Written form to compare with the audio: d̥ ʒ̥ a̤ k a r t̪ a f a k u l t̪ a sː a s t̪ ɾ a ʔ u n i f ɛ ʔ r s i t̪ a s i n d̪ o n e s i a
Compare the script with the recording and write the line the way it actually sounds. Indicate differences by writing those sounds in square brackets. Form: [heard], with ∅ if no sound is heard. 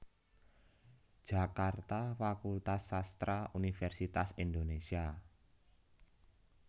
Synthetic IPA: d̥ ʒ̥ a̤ k a r t̪ a f a k u l t̪ a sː a s t̪ ɾ a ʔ u n i f ɛ [∅] r s i t̪ a s i n d̪ o n e s i a